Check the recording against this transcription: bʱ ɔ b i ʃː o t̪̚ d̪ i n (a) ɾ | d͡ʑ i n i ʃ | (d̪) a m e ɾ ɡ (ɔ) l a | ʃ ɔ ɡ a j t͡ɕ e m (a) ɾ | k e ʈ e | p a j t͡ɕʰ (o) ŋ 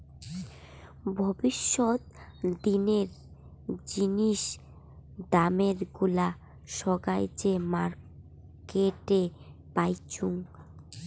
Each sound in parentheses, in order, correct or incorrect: incorrect, correct, incorrect, correct, incorrect

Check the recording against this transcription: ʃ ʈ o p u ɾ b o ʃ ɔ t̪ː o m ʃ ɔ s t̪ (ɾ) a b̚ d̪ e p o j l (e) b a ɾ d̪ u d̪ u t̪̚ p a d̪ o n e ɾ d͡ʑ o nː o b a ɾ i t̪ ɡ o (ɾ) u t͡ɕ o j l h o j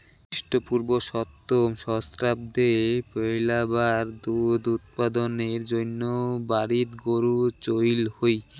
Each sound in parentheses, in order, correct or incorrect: correct, incorrect, correct

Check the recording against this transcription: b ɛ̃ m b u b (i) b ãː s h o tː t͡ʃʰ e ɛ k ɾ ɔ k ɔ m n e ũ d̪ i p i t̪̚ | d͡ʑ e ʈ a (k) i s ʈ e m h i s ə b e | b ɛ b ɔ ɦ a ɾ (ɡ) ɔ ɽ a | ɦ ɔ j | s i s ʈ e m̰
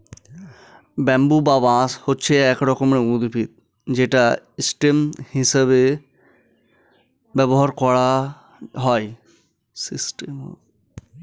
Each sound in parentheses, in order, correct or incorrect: incorrect, incorrect, incorrect

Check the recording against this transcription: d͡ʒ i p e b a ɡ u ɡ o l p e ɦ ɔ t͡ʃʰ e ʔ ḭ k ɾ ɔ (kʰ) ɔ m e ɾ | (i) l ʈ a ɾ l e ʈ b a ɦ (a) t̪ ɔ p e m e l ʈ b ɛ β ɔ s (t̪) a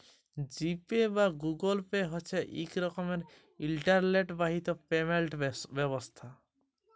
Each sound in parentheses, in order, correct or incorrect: incorrect, correct, incorrect, incorrect

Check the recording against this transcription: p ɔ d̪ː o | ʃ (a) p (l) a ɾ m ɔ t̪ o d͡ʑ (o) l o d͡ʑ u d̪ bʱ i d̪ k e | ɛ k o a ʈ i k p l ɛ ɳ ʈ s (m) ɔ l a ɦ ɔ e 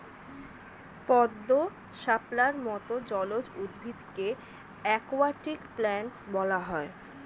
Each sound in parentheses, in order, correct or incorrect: correct, correct, incorrect, incorrect

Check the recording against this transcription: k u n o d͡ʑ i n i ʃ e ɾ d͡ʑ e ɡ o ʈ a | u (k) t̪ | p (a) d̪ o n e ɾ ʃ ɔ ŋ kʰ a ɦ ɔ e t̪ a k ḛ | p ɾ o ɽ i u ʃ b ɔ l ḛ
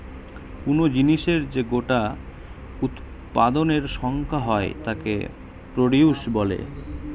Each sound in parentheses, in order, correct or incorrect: incorrect, correct

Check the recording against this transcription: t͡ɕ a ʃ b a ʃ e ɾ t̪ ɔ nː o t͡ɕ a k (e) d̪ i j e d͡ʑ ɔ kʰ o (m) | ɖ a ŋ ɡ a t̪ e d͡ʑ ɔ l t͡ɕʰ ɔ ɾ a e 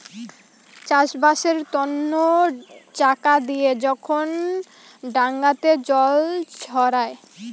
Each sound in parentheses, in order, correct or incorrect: incorrect, incorrect

